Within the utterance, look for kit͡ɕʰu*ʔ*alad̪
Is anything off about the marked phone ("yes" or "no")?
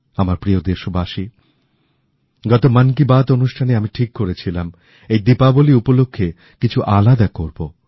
no